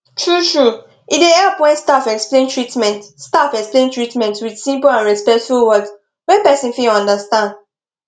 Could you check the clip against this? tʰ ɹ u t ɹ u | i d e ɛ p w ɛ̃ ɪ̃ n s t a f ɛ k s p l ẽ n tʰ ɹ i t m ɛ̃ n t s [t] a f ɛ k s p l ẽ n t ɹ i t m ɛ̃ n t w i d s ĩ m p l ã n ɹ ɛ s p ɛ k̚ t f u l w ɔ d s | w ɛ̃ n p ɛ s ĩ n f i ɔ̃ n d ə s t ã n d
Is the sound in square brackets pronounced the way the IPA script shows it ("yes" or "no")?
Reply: yes